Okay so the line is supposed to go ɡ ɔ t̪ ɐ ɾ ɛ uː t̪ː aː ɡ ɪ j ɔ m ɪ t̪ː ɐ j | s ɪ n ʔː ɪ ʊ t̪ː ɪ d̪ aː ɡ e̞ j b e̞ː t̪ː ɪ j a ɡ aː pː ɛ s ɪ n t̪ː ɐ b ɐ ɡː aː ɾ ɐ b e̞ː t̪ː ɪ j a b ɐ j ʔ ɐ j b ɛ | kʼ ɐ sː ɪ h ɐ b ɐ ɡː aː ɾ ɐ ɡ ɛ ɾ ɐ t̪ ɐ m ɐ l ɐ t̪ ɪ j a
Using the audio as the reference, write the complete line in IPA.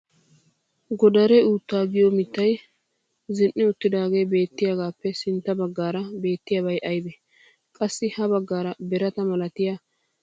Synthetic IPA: ɡ ɔ d̪ ɐ ɾ ɛ uː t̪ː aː ɡ ɪ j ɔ m ɪ t̪ː ɐ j | z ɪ n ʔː ɪ ʊ t̪ː ɪ d̪ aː ɡ e̞ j b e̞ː t̪ː ɪ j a ɡ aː pː ɛ s ɪ n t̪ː ɐ b ɐ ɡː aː ɾ ɐ b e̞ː t̪ː ɪ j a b ɐ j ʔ ɐ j b ɛ | kʼ ɐ sː ɪ h ɐ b ɐ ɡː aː ɾ ɐ b ɛ ɾ ɐ t̪ ɐ m ɐ l ɐ t̪ ɪ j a

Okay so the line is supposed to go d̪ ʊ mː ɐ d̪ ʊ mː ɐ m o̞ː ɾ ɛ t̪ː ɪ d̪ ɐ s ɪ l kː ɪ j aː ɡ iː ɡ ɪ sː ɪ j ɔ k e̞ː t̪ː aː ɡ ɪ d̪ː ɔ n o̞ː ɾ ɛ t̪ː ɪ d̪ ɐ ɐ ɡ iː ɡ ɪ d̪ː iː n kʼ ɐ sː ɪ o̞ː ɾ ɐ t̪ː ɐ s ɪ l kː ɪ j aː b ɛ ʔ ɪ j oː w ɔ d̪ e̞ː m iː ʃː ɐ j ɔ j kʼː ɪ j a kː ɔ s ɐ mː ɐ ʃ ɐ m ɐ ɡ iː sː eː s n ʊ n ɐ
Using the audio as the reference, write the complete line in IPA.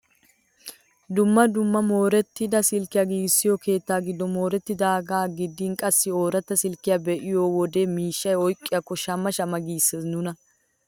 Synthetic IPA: d̪ ʊ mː ɐ d̪ ʊ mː ɐ m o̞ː ɾ ɛ t̪ː ɪ d̪ ɐ s ɪ l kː ɪ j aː ɡ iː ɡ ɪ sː ɪ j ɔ k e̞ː t̪ː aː ɡ ɪ d̪ː ɔ m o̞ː ɾ ɛ t̪ː ɪ d̪ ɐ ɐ ɡ aː ɡ ɪ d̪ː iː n kʼ ɐ sː ɪ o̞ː ɾ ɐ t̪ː ɐ s ɪ l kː ɪ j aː b ɛ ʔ ɪ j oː w ɔ d̪ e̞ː m iː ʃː ɐ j ɔ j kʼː ɪ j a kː ɔ ʃ ɐ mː ɐ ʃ ɐ m ɐ ɡ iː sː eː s n ʊ n ɐ

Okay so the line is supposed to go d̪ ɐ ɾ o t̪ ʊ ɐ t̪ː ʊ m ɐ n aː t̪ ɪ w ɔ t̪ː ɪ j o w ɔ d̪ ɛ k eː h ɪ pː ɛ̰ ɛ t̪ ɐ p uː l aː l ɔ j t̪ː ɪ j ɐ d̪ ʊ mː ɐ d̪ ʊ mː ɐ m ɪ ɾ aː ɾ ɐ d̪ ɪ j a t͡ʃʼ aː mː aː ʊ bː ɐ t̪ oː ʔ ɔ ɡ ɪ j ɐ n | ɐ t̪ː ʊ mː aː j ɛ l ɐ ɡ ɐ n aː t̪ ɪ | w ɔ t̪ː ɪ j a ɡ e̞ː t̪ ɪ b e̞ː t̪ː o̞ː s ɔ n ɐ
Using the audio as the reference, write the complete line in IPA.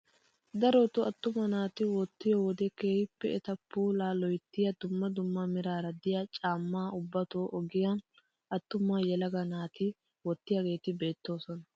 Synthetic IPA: d̪ ɐ ɾ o t̪ ʊ ɐ t̪ː ʊ m ɐ n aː t̪ ɪ w ɔ t̪ː ɪ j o w ɔ d̪ ɛ k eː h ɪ pː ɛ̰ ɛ t̪ ɐ p uː l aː l ɔ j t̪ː ɪ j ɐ d̪ ʊ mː ɐ d̪ ʊ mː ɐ m ɪ ɾ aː ɾ ɐ d̪ ɪ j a t͡ʃʼ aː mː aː ʊ bː ɐ t̪ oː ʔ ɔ ɡ ɪ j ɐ n | ɐ t̪ː ʊ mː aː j ɛ l ɐ ɡ ɐ n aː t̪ ɪ | w ɔ t̪ː ɪ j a ɡ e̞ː t̪ ɪ b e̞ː t̪ː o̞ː s ɔ n ɐ

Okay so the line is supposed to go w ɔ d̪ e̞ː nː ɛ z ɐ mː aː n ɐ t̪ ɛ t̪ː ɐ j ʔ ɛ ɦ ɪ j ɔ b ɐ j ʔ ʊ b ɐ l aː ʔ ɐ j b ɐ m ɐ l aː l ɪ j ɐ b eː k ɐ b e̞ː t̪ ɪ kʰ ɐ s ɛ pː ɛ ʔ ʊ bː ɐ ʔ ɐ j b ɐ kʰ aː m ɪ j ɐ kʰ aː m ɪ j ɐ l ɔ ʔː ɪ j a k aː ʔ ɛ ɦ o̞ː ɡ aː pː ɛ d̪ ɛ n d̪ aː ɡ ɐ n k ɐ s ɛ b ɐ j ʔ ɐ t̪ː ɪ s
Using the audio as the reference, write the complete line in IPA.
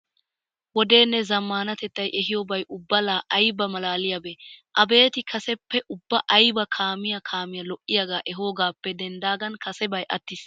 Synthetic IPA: w ɔ d̪ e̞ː nː ɛ z ɐ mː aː n ɐ t̪ ɛ t̪ː ɐ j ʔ ɛ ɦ ɪ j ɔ b ɐ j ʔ ʊ bː ɐ l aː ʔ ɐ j b ɐ m ɐ l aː l ɪ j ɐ b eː ʔ ɐ b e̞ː t̪ ɪ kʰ ɐ s ɛ pː ɛ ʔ ʊ bː ɐ ʔ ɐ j b ɐ kʰ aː m ɪ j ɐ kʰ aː m ɪ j ɐ l ɔ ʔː ɪ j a ɡ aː ʔ ɛ ɦ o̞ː ɡ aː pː ɛ d̪ ɛ n d̪ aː ɡ ɐ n k ɐ s ɛ b ɐ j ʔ ɐ t̪ː ɪ s

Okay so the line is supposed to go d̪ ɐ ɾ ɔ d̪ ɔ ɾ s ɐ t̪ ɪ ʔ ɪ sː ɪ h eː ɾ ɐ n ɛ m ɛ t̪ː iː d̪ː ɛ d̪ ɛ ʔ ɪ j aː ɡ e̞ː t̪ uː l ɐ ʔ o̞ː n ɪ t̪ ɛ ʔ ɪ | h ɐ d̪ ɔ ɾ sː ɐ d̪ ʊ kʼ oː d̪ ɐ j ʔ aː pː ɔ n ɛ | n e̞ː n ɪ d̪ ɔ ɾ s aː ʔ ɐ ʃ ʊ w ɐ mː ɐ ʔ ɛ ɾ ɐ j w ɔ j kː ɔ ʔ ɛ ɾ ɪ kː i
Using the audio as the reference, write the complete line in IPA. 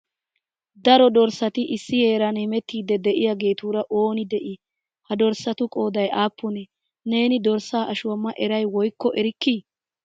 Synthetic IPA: d̪ ɐ ɾ ɔ d̪ ɔ ɾ s ɐ t̪ ɪ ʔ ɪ sː ɪ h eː ɾ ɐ n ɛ m ɛ t̪ː iː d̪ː ɛ d̪ ɛ ʔ ɪ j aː ɡ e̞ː t̪ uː ɾ ɐ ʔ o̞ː n ɪ d̪ ɛ ʔ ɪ | h ɐ d̪ ɔ ɾ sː ɐ t̪ ʊ kʼ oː d̪ ɐ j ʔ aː pː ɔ n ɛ | n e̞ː n ɪ d̪ ɔ ɾ s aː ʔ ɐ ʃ ʊ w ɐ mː ɐ ʔ ɛ ɾ ɐ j w ɔ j kː ɔ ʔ ɛ ɾ ɪ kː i

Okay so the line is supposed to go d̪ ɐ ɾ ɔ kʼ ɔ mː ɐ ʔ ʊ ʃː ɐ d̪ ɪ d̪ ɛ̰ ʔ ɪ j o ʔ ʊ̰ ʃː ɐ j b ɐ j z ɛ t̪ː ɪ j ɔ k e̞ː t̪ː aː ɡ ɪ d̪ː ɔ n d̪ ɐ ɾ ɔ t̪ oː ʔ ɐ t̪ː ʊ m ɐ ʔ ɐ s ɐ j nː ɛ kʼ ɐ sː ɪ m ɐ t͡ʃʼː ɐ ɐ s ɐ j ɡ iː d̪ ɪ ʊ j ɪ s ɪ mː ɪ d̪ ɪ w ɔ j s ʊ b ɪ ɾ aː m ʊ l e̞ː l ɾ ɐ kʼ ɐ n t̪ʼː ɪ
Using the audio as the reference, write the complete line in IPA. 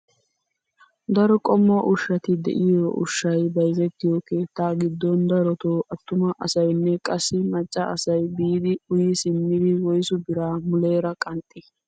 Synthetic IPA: d̪ ɐ ɾ ɔ kʼ ɔ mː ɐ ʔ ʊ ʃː ɐ t̪ ɪ d̪ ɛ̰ ʔ ɪ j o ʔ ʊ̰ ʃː ɐ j b ɐ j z ɛ t̪ː ɪ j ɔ k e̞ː t̪ː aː ɡ ɪ d̪ː ɔ n d̪ ɐ ɾ ɔ t̪ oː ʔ ɐ t̪ː ʊ m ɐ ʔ ɐ s ɐ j nː ɛ kʼ ɐ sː ɪ m ɐ t͡ʃʼː ɐ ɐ s ɐ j b iː d̪ ɪ ʊ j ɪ s ɪ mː ɪ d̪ ɪ w ɔ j s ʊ b ɪ ɾ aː m ʊ l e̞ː ɾ ɐ kʼ ɐ n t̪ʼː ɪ

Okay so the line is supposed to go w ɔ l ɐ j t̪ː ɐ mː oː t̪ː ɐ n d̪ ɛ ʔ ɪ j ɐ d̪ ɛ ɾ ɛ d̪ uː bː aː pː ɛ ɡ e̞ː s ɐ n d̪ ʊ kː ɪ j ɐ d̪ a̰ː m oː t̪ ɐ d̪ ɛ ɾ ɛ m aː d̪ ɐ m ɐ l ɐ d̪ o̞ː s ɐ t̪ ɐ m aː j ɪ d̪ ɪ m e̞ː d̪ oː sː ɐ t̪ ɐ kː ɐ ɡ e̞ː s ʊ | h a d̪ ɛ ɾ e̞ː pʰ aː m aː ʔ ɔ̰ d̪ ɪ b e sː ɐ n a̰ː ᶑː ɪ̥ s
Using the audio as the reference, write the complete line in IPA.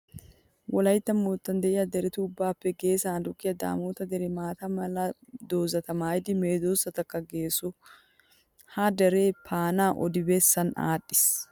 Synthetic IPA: w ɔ l ɐ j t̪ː ɐ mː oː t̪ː ɐ n d̪ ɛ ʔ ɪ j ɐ d̪ ɛ ɾ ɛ t̪ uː bː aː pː ɛ ɡ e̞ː s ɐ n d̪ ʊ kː ɪ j ɐ d̪ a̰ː m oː t̪ ɐ d̪ ɛ ɾ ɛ m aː t̪ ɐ m ɐ l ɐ d̪ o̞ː z ɐ t̪ ɐ m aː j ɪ d̪ ɪ m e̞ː d̪ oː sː ɐ t̪ ɐ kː ɐ ɡ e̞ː s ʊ | h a d̪ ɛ ɾ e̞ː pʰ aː n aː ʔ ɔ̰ d̪ ɪ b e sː ɐ n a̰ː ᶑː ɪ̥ s

